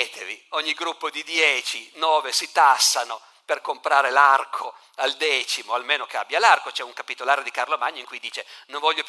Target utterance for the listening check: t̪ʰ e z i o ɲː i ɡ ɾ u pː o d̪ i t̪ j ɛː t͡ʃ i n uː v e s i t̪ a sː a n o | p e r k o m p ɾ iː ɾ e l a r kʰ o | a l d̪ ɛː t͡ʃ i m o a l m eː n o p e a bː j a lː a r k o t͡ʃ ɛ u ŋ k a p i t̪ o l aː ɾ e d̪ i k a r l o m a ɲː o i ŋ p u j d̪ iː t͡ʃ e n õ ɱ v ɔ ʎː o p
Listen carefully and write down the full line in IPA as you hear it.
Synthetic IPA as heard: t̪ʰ e v i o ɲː i ɡ ɾ u pː o d̪ i d̪ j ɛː t͡ʃ i n ɔː v e s i t̪ a sː a n o | p e r k o m p ɾ aː ɾ e l a r kʰ o | a l d̪ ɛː t͡ʃ i m o a l m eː n o k e a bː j a l a r k o t͡ʃ ɛ u ŋ k a p i t̪ o l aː ɾ e d̪ i k a r l o m a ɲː o i ŋ k u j d̪ iː t͡ʃ e n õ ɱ v ɔ ʎː o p